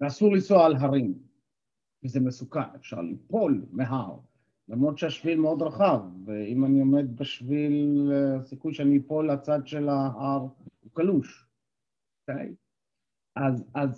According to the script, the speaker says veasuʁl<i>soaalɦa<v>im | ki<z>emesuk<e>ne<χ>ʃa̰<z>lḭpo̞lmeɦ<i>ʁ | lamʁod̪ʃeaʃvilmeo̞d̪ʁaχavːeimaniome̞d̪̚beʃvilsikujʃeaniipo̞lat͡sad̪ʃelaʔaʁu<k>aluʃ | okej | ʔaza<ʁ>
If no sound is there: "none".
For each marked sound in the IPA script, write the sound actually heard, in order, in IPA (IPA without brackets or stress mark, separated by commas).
i, ʁ, z, a, f, ʁ, a, k, z